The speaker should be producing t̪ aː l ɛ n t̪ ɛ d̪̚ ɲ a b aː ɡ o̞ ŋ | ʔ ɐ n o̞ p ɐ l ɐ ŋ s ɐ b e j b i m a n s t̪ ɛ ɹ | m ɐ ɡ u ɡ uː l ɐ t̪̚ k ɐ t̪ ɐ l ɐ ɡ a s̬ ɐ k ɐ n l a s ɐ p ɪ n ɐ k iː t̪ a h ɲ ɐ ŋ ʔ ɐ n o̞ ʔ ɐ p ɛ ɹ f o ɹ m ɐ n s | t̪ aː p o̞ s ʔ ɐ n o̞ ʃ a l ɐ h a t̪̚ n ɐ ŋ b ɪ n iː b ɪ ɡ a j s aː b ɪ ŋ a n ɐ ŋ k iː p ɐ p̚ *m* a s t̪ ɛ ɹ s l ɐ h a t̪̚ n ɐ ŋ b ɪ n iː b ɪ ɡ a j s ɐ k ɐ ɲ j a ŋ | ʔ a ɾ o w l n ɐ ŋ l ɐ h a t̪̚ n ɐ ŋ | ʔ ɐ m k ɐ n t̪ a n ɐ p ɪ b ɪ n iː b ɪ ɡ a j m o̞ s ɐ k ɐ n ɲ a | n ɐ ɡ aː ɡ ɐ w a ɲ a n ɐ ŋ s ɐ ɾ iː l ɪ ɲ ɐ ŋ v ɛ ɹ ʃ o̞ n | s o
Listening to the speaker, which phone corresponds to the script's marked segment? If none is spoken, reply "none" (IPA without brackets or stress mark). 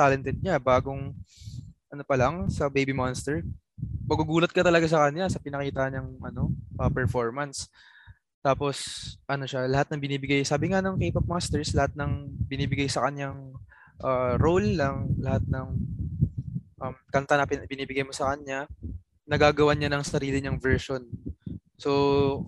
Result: m